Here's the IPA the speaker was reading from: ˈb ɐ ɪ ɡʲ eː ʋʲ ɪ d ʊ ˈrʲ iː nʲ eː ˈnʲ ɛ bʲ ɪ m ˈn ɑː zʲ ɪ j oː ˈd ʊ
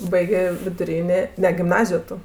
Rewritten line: ˈb ɐ ɪ ɡʲ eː ʋʲ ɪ d ʊ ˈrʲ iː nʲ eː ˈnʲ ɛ ɡʲ ɪ m ˈn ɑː zʲ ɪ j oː ˈt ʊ